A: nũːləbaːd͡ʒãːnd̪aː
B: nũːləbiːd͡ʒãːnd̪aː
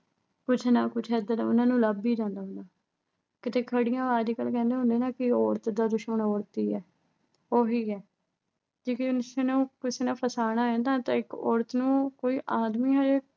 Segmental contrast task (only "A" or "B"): B